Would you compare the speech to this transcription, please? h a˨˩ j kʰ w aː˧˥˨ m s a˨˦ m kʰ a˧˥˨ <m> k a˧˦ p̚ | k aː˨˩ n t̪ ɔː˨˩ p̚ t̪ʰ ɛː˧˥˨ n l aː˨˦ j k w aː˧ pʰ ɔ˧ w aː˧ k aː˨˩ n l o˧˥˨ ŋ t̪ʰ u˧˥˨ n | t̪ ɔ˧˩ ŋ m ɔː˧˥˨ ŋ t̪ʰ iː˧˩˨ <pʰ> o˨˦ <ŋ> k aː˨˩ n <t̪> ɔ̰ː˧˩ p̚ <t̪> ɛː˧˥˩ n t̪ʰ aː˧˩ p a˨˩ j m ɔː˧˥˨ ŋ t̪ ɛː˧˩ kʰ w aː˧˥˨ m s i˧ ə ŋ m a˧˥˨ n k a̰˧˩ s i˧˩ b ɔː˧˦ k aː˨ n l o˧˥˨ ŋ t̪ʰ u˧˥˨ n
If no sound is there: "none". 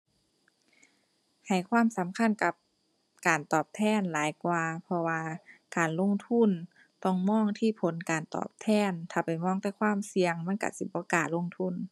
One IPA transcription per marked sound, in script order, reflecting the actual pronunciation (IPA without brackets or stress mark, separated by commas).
n, pʰ, n, t̪, t̪ʰ